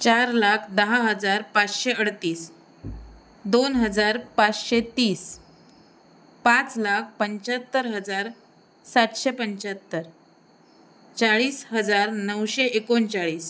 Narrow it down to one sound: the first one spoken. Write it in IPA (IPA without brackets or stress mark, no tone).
t͡ɕ